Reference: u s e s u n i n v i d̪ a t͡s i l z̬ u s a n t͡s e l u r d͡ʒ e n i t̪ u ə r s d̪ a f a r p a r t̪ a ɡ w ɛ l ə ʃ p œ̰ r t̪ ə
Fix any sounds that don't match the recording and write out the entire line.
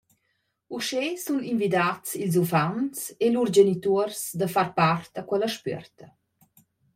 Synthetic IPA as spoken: u ʃ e s u n i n v i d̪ a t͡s i l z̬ u f a n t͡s e l u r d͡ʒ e n i t̪ u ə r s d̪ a f a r p a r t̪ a k w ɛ l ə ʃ p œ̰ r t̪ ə